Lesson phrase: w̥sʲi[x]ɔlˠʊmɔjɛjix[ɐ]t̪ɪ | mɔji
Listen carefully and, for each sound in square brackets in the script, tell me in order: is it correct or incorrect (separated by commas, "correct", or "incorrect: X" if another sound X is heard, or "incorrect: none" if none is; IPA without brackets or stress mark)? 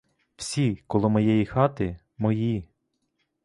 incorrect: k, incorrect: ɑ